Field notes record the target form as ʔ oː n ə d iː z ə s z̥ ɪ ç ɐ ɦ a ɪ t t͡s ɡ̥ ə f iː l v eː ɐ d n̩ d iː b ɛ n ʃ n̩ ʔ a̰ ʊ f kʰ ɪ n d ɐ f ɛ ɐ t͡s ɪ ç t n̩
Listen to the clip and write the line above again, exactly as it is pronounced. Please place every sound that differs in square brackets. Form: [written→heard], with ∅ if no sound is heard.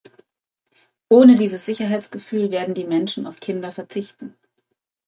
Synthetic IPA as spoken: ʔ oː n ə d iː z ə s z̥ ɪ ç ɐ ɦ a ɪ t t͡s ɡ̥ ə f [iː→yː] l v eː ɐ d n̩ d iː [b→m] ɛ n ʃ n̩ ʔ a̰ ʊ f kʰ ɪ n d ɐ f ɛ ɐ t͡s ɪ ç t n̩